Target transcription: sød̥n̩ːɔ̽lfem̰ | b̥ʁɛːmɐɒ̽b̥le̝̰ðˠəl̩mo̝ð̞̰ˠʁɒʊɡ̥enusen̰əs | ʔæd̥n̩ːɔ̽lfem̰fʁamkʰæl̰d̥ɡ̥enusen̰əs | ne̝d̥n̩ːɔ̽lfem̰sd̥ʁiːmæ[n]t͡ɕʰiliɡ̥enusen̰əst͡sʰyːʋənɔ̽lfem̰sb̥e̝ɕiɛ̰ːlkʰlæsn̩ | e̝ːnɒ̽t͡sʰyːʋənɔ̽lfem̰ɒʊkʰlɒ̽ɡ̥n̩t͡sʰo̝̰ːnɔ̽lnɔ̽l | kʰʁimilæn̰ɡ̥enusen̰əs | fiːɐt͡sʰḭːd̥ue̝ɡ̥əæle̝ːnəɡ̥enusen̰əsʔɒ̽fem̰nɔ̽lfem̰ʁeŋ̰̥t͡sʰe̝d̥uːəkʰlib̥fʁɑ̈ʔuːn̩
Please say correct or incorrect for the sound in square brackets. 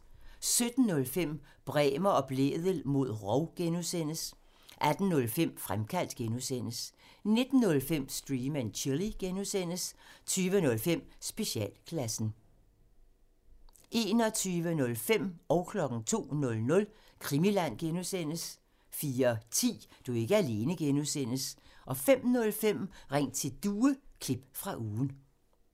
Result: correct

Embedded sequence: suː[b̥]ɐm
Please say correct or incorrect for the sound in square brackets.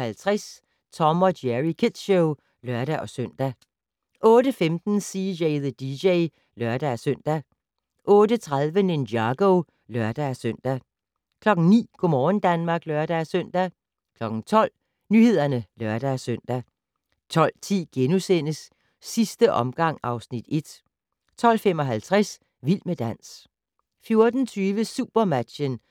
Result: correct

